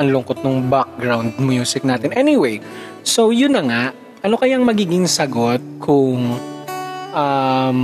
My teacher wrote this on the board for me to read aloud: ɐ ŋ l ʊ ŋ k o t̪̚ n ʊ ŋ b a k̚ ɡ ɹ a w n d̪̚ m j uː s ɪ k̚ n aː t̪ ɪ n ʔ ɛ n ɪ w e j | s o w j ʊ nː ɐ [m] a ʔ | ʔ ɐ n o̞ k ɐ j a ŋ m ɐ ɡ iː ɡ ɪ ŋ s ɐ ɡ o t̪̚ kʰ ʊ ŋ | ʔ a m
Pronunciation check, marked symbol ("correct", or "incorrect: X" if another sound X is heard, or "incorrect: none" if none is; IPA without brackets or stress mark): incorrect: ŋ